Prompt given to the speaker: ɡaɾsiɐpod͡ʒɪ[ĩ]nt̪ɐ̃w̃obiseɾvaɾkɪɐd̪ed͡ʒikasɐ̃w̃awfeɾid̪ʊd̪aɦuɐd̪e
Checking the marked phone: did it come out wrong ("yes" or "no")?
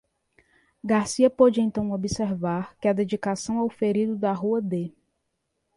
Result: yes